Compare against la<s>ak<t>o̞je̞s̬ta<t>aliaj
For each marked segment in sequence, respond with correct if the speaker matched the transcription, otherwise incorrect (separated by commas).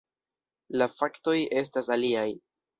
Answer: incorrect, correct, incorrect